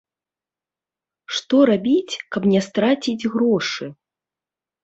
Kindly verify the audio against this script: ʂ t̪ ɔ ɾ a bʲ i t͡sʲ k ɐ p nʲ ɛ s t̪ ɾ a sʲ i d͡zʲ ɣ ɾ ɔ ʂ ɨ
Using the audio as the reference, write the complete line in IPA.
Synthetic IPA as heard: ʂ t̪ ɔ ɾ a bʲ i t͡sʲ k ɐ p nʲ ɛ s t̪ ɾ a t͡sʲ i d͡zʲ ɣ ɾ ɔ ʂ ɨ